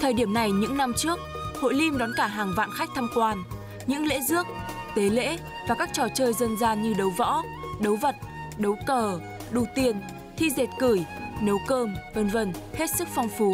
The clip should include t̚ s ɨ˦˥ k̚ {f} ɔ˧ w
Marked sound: correct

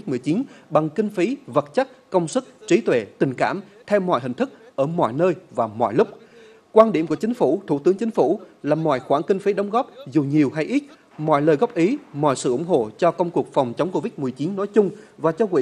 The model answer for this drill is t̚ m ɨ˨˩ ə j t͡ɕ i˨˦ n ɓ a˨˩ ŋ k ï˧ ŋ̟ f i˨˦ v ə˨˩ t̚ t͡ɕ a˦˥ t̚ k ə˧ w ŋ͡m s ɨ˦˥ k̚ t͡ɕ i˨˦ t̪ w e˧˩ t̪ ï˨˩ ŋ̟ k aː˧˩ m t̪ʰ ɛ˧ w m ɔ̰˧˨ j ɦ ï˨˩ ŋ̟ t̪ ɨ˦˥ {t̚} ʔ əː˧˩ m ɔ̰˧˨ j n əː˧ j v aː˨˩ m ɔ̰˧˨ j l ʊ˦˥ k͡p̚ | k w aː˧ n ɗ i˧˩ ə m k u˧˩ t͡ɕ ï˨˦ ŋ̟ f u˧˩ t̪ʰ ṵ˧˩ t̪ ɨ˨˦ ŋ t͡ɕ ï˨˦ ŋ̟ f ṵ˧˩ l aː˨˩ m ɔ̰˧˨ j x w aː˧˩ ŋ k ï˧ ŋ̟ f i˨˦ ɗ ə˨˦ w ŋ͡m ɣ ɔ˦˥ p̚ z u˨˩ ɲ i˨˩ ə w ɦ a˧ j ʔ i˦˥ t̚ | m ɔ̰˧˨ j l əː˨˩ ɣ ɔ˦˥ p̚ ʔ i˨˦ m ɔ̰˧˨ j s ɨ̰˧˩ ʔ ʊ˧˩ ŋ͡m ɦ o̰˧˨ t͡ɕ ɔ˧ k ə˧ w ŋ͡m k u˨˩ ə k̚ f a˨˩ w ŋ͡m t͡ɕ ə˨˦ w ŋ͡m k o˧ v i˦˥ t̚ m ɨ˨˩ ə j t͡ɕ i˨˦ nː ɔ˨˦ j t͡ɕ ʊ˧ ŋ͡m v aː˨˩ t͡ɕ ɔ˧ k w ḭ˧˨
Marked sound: incorrect: k̚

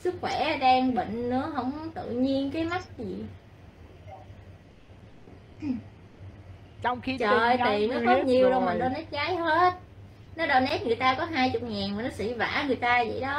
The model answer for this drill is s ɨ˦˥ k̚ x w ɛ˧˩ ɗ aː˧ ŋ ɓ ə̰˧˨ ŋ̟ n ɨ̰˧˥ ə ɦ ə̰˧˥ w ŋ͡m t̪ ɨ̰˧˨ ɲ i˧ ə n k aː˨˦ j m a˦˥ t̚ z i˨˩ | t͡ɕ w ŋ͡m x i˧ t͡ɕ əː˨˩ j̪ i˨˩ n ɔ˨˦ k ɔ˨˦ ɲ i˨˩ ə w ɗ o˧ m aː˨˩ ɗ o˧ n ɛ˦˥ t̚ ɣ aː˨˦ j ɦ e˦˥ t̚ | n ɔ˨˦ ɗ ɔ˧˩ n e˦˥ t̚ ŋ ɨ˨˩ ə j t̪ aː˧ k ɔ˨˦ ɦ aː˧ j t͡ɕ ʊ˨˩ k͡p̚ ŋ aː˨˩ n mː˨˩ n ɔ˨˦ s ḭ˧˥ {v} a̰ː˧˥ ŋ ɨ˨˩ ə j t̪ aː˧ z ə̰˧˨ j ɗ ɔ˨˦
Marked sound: correct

